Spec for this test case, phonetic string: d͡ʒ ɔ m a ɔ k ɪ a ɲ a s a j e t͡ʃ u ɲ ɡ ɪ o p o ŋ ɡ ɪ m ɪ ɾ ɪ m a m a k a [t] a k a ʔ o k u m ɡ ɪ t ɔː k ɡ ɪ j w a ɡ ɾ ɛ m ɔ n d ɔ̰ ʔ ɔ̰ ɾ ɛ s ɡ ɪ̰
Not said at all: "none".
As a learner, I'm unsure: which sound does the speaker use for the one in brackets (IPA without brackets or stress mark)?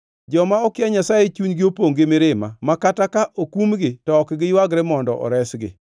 t